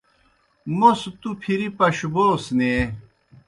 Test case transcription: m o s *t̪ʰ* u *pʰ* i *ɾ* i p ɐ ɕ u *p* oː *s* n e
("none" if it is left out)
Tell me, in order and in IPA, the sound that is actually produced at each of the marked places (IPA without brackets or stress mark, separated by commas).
t̪, pʰ, ɾ, b, s